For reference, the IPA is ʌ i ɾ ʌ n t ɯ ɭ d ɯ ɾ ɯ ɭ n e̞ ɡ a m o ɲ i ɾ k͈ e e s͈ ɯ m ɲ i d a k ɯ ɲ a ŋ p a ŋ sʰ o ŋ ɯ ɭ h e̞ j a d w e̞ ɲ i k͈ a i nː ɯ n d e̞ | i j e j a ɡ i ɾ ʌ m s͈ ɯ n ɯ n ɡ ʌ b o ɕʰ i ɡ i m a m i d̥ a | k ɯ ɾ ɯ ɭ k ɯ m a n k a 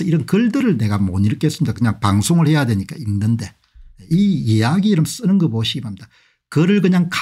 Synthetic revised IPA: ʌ i ɾ ʌ n k ɯ ɭ d ɯ ɾ ɯ ɭ n e̞ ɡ a m o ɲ i ɾ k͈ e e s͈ ɯ m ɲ i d a k ɯ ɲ a ŋ p a ŋ sʰ o ŋ ɯ ɭ h e̞ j a d w e̞ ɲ i k͈ a i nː ɯ n d e̞ | i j e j a ɡ i ɾ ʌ m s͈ ɯ n ɯ n ɡ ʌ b o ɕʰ i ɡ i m a m i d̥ a | k ɯ ɾ ɯ ɭ k ɯ ɲ a ŋ k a